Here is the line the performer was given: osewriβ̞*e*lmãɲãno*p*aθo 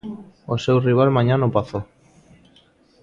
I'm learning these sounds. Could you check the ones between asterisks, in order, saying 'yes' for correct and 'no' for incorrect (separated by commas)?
no, yes